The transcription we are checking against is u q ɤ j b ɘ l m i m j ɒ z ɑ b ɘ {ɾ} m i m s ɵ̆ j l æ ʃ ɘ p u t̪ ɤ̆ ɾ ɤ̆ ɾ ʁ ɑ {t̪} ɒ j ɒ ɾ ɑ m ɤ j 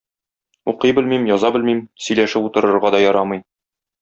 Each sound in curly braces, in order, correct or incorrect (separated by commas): incorrect, incorrect